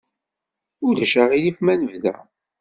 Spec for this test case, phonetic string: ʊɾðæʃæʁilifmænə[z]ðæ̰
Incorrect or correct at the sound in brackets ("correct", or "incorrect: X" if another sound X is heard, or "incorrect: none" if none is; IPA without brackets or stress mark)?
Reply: incorrect: v